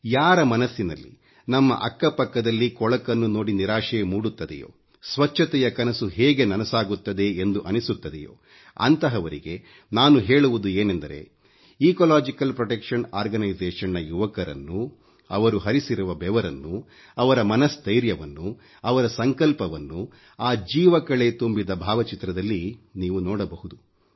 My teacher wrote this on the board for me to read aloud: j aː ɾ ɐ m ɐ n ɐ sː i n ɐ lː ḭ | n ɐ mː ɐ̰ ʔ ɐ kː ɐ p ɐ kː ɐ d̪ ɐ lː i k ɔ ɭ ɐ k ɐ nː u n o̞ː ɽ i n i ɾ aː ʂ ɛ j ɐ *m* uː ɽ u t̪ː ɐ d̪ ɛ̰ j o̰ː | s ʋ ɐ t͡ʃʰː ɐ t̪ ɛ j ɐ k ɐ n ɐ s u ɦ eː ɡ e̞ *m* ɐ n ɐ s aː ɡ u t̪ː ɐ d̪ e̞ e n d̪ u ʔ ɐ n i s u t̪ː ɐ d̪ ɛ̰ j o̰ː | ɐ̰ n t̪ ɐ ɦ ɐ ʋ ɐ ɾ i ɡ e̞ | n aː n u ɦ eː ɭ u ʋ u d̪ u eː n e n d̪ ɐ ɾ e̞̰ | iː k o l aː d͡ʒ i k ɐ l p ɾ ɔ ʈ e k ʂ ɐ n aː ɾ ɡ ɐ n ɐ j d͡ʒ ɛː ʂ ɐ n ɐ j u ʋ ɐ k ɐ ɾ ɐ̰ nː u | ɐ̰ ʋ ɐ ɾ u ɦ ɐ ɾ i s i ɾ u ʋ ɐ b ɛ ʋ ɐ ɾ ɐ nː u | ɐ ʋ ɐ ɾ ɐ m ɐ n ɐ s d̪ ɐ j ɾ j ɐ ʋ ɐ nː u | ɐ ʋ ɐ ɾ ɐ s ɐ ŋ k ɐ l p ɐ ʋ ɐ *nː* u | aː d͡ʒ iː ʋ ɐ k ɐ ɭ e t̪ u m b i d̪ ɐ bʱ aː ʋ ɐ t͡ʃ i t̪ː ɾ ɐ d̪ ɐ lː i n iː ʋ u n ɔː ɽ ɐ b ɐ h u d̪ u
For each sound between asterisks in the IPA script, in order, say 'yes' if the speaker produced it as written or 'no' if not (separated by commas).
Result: yes, no, yes